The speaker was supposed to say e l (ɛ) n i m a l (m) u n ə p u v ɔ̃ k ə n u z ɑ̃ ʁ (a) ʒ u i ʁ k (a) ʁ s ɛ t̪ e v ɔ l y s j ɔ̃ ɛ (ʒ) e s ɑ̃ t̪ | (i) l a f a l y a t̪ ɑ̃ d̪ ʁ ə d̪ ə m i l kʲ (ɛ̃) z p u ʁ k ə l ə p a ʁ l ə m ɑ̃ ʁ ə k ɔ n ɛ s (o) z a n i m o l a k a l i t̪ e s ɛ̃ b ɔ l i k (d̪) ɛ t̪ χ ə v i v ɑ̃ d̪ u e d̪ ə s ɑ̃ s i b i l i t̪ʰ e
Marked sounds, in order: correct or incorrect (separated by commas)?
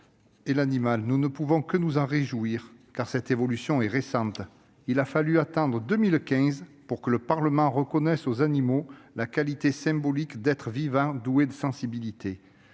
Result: incorrect, incorrect, incorrect, correct, incorrect, correct, correct, correct, correct